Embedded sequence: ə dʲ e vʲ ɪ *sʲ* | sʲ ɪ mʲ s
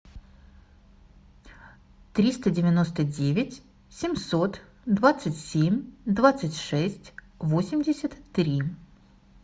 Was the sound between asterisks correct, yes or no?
no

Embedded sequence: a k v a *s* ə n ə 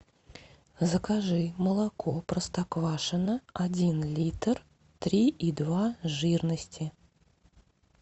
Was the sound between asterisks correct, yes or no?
no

